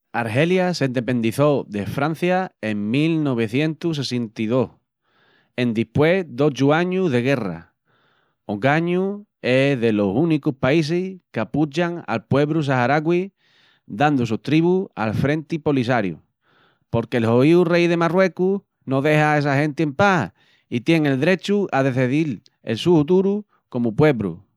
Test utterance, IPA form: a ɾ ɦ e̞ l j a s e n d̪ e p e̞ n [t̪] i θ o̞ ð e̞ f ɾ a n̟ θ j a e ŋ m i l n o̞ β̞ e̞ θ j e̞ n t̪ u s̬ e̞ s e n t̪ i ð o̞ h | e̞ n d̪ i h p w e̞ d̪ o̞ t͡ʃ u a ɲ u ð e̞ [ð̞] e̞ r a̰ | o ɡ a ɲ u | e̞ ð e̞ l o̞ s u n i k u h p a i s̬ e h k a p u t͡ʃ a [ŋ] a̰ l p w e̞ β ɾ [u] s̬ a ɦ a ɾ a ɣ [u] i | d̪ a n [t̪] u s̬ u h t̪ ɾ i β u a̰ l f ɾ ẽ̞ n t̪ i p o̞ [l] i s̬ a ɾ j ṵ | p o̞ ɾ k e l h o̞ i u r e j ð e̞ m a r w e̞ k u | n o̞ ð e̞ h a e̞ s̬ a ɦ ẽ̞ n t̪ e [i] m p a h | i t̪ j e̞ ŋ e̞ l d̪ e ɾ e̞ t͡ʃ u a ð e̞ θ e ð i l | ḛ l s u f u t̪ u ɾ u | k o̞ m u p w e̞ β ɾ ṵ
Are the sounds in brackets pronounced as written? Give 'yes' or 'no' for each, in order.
no, no, yes, yes, no, no, yes, no

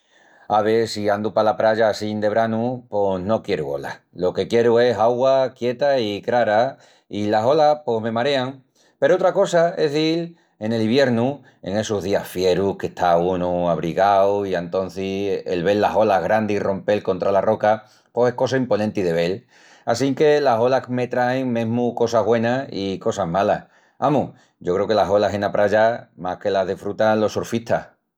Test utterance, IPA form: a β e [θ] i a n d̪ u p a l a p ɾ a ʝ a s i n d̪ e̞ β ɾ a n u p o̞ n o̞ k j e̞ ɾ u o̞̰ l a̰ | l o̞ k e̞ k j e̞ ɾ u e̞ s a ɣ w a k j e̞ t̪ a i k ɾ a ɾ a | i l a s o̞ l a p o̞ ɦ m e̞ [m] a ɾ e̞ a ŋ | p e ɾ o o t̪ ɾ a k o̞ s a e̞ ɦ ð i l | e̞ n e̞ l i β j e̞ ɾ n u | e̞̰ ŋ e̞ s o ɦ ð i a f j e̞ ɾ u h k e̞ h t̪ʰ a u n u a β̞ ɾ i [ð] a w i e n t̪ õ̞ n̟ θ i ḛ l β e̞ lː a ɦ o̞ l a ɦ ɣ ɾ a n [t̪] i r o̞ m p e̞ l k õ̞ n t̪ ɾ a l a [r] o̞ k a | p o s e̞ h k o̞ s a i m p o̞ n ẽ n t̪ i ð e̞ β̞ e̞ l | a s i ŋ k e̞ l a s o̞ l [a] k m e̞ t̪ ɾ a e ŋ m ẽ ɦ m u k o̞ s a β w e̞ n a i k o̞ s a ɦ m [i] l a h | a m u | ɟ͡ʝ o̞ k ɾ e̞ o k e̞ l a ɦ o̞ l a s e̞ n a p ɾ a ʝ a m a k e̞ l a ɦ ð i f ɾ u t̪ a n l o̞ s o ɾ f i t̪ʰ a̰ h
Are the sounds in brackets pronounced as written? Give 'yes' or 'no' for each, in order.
no, yes, no, no, yes, yes, no

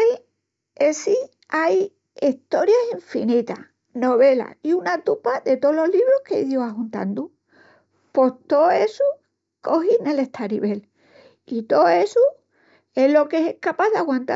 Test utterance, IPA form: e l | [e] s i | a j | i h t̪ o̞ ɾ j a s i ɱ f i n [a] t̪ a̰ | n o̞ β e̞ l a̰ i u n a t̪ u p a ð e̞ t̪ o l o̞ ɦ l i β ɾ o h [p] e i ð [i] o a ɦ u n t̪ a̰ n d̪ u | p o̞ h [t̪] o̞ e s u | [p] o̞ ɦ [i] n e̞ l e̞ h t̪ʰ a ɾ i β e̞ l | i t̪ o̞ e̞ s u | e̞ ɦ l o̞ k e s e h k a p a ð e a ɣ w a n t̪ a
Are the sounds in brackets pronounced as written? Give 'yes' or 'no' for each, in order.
yes, no, no, no, yes, no, yes

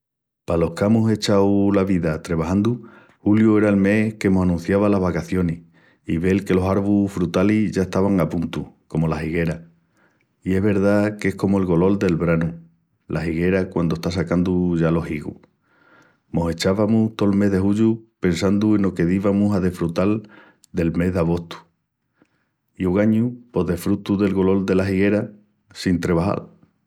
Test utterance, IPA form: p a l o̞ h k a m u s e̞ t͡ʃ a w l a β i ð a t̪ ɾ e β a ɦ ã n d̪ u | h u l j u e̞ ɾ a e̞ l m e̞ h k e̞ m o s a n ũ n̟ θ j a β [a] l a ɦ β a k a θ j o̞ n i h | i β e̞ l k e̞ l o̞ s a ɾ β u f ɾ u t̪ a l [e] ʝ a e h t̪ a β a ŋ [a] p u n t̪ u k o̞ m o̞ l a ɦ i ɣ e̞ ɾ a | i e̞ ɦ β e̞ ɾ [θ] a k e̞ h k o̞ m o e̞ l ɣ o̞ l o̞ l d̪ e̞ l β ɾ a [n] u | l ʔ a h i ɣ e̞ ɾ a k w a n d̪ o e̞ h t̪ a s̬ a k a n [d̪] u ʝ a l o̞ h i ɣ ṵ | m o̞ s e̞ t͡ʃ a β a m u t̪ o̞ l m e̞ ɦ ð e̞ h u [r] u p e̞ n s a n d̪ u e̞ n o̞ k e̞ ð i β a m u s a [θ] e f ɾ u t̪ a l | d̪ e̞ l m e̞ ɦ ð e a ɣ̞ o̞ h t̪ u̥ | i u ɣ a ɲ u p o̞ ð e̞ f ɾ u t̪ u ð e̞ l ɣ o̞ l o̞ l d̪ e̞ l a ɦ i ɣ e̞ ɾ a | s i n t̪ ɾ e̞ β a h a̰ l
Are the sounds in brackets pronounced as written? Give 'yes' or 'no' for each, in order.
yes, no, yes, no, yes, yes, no, no

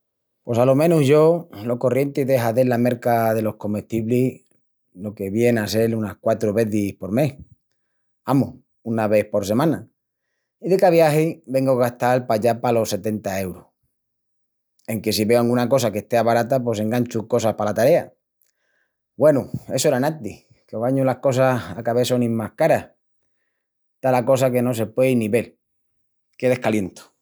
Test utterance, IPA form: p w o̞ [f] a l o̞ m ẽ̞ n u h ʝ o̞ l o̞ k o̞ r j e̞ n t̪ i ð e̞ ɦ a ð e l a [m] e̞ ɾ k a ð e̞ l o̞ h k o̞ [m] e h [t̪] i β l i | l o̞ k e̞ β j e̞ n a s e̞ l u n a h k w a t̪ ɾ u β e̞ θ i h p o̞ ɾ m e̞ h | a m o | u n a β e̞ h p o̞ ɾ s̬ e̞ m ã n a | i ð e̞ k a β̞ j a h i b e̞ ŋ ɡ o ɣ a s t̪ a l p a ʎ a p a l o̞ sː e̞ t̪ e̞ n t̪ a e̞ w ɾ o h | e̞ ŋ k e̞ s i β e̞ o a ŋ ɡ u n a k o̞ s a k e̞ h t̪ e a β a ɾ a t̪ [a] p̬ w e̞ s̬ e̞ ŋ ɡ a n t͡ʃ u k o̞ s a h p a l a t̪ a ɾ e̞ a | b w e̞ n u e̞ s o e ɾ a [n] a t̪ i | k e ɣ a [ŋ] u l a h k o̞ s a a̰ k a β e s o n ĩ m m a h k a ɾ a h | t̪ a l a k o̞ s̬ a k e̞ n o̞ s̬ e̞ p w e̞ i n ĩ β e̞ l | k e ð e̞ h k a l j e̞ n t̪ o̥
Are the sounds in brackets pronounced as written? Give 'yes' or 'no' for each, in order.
no, yes, yes, yes, yes, yes, no

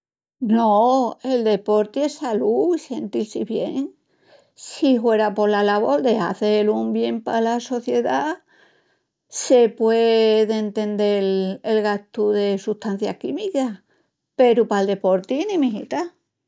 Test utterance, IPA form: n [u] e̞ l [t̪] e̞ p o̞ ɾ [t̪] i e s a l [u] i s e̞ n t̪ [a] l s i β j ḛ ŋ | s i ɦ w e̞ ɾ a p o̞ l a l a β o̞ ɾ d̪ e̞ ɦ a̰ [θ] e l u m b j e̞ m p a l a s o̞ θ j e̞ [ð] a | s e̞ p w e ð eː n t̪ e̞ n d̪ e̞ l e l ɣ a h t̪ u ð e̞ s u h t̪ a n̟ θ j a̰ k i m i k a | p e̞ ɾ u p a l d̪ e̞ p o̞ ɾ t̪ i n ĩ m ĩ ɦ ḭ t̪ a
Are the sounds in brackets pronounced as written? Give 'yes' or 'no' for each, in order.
no, no, yes, yes, no, yes, yes

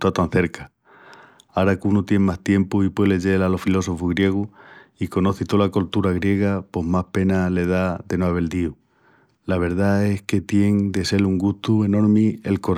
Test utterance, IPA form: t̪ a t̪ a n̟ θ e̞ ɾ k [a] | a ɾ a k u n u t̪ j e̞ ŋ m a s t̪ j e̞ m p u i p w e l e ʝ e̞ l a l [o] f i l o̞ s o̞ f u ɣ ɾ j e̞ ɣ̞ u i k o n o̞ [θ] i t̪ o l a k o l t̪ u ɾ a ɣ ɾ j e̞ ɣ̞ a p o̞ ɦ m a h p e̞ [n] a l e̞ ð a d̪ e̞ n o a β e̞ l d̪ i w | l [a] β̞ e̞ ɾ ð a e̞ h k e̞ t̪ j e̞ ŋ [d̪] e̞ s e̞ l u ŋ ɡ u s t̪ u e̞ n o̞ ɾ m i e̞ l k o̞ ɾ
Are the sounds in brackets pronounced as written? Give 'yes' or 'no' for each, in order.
yes, yes, yes, yes, yes, yes

